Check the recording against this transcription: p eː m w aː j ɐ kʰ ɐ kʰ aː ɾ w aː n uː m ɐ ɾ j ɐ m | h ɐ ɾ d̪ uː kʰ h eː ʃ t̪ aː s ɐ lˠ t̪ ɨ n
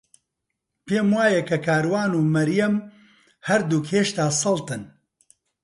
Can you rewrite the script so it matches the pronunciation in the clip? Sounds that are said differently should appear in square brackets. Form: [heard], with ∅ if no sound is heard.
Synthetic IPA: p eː m w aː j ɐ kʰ ɐ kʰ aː ɾ w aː n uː m ɐ ɾ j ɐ m | h ɐ ɾ d̪ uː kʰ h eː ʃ t̪ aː s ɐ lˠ t̪ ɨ n